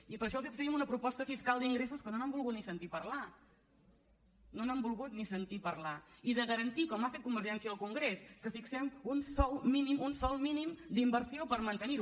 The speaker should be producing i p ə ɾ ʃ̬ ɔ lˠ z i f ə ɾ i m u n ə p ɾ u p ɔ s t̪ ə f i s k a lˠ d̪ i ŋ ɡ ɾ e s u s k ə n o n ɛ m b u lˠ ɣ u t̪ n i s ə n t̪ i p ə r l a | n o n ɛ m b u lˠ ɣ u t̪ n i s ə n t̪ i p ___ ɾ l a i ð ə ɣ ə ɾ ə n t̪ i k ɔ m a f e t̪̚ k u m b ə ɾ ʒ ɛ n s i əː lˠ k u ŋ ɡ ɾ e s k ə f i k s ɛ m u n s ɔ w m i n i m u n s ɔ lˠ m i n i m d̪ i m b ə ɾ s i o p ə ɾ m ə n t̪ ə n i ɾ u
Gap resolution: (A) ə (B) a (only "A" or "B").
A